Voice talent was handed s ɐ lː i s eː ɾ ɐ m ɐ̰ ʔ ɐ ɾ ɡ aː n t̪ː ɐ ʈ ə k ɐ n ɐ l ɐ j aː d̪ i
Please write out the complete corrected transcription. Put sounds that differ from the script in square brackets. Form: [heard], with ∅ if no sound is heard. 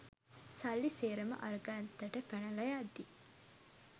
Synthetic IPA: s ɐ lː i s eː ɾ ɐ m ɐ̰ ʔ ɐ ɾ ɡ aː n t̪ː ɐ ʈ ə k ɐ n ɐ l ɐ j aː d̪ i

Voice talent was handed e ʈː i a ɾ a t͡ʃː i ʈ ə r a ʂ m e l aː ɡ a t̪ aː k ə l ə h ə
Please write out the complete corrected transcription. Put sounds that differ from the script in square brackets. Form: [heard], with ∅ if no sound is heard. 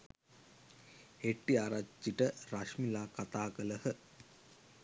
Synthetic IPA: e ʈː i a ɾ a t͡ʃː i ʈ ə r a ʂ m [i] l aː [k] a t̪ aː k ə l ə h ə

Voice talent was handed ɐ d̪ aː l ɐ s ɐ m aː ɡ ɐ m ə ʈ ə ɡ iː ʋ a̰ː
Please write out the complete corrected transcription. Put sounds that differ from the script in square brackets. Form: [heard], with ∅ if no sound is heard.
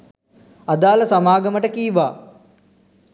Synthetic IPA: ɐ d̪ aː l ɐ s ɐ m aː ɡ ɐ m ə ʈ ə [k] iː ʋ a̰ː

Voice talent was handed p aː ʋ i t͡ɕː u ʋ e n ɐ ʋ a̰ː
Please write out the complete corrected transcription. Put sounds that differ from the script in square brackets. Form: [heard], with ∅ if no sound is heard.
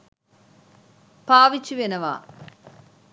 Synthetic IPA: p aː ʋ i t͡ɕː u ʋ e n ɐ ʋ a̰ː

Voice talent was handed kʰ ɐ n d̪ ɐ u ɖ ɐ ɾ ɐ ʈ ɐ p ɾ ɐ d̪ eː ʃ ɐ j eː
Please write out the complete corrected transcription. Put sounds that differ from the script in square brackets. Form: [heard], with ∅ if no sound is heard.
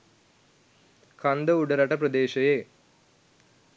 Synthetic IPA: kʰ ɐ n d̪ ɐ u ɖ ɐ ɾ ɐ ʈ ɐ p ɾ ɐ d̪ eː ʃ ɐ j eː

